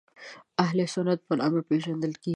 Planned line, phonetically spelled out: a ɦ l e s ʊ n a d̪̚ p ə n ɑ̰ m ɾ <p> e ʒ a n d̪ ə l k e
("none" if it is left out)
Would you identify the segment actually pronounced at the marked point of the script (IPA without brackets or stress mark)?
p